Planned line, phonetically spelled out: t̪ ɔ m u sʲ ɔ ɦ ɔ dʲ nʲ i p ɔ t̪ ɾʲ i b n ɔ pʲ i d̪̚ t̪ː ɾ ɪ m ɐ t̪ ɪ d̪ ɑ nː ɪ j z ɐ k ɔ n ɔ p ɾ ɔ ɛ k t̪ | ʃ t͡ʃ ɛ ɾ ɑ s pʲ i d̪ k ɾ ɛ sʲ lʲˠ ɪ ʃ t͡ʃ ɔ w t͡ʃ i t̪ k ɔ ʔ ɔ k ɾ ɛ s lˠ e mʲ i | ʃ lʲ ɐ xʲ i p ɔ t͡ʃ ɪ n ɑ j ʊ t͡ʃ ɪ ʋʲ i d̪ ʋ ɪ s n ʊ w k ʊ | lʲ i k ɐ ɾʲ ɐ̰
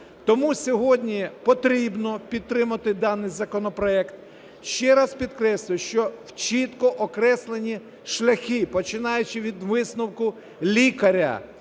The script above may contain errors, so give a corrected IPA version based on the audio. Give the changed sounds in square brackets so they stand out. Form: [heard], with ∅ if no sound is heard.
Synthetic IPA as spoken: t̪ ɔ m u sʲ ɔ ɦ ɔ dʲ nʲ i p ɔ t̪ ɾʲ i b n ɔ pʲ i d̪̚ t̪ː ɾ ɪ m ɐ t̪ ɪ d̪ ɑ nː ɪ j z ɐ k ɔ n ɔ p ɾ ɔ ɛ k t̪ | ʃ t͡ʃ ɛ ɾ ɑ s pʲ i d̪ k ɾ ɛ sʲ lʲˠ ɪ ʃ t͡ʃ ɔ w t͡ʃ i t̪ k ɔ ʔ ɔ k ɾ ɛ s lˠ e [nʲ] i | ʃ lʲ ɐ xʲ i p ɔ t͡ʃ ɪ n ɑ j ʊ t͡ʃ ɪ ʋʲ i d̪ ʋ ɪ s n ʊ w k ʊ | lʲ i k ɐ ɾʲ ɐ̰